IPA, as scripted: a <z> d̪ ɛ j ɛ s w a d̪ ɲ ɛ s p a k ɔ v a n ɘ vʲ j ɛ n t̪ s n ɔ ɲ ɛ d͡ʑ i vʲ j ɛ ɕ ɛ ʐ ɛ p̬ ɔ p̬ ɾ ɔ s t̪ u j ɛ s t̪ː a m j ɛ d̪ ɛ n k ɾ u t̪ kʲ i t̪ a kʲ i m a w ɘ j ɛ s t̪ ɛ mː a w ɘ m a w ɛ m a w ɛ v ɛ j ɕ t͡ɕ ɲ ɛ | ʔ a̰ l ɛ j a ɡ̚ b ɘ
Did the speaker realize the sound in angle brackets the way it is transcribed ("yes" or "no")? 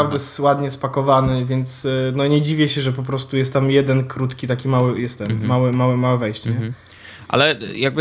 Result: no